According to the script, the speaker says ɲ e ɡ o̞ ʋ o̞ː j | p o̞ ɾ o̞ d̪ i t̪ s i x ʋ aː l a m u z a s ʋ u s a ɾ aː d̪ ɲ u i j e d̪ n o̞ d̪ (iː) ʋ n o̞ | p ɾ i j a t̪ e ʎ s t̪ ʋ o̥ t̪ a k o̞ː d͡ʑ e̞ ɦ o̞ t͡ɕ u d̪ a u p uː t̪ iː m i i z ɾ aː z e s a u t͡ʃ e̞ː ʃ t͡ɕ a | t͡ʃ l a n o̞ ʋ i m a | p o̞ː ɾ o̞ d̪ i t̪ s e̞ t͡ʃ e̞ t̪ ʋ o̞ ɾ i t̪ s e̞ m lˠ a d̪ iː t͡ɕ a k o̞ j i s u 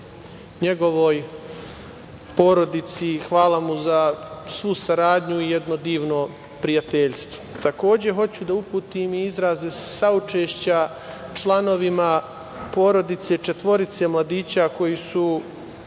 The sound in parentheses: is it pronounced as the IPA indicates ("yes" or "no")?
yes